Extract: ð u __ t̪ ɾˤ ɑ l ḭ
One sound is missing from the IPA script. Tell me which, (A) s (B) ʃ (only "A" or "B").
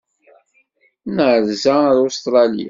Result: A